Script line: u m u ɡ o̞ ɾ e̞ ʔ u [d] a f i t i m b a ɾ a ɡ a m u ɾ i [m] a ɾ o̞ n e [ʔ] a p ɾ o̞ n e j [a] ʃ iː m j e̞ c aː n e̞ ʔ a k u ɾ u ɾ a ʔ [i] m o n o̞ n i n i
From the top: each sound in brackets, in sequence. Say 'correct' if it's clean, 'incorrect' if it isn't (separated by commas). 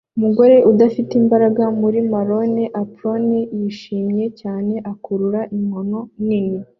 correct, correct, correct, incorrect, correct